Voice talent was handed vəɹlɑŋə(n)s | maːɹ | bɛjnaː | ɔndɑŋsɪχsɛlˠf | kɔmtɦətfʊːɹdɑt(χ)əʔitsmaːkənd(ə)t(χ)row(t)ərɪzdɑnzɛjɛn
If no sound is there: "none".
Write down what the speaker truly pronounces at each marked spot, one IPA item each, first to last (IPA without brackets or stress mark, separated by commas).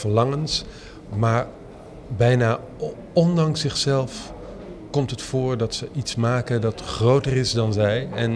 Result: n, s, ɑ, χ, t